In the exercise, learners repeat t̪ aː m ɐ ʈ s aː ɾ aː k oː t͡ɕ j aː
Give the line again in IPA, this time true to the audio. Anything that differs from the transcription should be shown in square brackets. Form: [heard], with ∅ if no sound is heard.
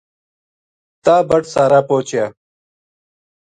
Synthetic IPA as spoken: t̪ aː [b] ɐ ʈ s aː ɾ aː [p] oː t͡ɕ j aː